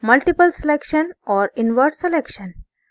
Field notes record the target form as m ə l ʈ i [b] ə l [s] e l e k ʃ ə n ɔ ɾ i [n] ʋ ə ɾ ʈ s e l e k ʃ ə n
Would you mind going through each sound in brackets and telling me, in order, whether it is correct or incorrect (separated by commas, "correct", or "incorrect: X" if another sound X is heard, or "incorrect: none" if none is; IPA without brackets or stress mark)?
incorrect: p, correct, correct